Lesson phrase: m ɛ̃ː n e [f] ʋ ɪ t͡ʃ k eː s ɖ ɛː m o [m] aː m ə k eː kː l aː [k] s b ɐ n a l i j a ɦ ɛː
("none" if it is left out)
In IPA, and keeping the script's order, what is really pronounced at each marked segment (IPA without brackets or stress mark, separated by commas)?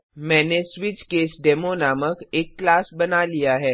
s, n, none